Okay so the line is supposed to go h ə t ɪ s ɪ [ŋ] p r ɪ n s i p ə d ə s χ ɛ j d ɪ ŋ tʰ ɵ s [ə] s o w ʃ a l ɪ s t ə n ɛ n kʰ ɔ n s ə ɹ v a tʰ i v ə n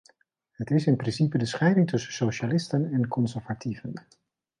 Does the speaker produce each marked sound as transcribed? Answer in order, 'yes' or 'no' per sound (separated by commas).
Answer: no, yes